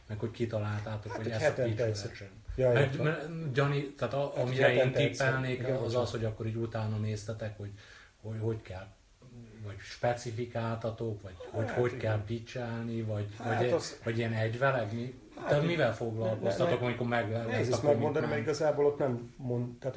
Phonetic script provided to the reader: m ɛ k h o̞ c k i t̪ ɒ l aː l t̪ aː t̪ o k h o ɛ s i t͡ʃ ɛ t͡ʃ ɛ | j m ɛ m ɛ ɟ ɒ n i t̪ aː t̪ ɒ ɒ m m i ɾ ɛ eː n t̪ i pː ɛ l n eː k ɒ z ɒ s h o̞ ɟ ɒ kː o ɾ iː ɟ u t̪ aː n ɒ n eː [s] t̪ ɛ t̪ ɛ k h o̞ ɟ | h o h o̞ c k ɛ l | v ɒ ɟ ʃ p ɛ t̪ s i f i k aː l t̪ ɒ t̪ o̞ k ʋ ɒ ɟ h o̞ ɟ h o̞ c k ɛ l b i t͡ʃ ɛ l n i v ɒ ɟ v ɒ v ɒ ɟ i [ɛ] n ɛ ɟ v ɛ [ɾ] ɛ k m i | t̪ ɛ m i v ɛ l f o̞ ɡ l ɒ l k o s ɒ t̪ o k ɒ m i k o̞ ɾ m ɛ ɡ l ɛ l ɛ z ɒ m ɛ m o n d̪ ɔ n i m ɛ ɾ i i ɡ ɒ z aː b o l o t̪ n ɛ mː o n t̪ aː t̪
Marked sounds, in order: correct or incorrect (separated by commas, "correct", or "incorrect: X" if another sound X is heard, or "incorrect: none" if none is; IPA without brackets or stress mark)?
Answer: correct, correct, incorrect: l